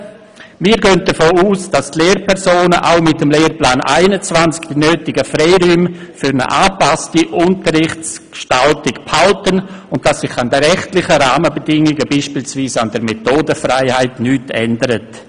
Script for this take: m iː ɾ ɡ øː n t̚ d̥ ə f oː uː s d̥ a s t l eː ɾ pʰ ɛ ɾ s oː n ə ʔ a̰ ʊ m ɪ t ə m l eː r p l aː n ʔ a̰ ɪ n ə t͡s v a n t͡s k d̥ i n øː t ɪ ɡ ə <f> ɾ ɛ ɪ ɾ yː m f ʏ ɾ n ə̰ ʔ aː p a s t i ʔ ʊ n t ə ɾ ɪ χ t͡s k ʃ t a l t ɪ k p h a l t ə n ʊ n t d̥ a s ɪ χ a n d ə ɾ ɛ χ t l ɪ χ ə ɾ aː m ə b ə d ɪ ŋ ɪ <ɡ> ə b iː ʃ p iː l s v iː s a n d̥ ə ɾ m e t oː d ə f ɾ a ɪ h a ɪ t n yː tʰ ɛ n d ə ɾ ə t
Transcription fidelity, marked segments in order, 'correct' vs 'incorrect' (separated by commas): correct, correct